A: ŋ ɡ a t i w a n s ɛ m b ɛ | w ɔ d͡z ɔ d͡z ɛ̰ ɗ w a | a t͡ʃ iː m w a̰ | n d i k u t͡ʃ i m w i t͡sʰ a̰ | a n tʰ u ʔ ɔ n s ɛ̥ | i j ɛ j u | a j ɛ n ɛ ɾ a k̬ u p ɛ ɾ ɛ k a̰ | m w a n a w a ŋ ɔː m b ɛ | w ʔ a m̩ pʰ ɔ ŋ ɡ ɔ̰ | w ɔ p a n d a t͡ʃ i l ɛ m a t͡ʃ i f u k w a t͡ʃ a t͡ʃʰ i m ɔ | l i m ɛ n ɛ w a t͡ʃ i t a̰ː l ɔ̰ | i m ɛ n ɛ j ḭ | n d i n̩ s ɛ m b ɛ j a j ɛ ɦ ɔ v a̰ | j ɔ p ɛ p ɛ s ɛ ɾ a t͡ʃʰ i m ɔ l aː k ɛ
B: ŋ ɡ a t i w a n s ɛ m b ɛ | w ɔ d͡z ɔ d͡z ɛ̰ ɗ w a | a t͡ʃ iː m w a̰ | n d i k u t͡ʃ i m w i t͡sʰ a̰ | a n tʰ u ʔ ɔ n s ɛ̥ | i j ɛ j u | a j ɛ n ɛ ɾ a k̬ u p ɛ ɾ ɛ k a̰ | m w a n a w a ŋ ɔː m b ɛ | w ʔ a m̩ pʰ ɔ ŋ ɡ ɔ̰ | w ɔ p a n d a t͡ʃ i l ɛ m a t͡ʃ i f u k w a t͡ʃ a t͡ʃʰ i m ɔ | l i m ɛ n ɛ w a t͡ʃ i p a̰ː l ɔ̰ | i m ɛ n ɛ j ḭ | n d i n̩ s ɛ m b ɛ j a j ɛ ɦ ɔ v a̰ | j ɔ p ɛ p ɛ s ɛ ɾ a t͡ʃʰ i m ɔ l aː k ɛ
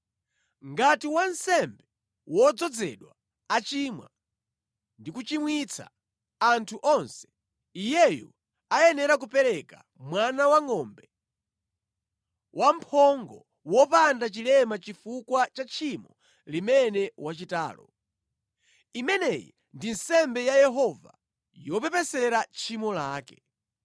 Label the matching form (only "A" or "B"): A